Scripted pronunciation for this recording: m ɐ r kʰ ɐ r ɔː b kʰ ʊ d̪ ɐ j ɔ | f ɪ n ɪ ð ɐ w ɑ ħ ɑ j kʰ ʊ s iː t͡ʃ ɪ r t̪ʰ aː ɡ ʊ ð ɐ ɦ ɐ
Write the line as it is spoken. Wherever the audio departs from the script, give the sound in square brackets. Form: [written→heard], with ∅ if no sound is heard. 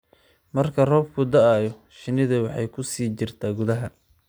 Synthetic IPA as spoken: m ɐ r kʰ ɐ r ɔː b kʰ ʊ d̪ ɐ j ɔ | [f→ʃ] ɪ n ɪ ð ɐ w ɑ ħ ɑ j kʰ ʊ s iː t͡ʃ ɪ r t̪ʰ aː ɡ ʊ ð ɐ ɦ ɐ